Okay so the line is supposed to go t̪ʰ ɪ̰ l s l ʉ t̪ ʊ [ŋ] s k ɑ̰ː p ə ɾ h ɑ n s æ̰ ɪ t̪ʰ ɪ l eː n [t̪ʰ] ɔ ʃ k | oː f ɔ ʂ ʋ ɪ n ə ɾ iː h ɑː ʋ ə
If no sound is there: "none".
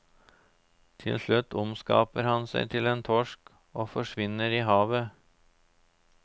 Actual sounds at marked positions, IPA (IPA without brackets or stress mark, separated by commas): m, t̪ʰ